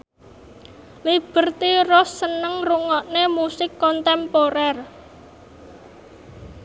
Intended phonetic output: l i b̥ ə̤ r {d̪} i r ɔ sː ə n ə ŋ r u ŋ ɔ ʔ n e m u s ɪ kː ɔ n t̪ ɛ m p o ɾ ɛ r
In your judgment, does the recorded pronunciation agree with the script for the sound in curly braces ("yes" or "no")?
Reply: no